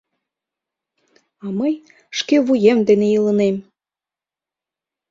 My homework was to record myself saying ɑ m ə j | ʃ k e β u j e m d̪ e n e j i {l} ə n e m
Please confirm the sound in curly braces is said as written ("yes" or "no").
yes